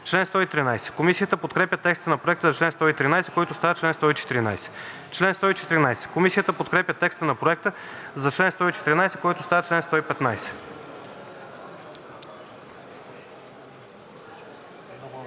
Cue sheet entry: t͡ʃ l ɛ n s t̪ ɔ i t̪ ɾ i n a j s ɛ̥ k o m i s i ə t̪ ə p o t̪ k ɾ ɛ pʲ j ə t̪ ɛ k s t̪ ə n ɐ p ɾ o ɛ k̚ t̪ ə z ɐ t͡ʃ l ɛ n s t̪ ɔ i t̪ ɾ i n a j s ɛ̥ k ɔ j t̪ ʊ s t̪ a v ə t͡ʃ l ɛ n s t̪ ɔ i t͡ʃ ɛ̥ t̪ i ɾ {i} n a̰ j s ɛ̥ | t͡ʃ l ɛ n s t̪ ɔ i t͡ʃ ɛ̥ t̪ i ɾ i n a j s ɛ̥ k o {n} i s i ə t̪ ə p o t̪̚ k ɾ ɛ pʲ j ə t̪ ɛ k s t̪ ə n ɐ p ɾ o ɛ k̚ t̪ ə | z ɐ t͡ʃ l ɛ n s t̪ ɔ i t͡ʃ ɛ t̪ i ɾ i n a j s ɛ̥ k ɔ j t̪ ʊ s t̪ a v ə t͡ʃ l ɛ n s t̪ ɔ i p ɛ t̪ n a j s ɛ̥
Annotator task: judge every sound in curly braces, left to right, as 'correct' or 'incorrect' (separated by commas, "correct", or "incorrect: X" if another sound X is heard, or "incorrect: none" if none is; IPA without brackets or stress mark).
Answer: correct, incorrect: m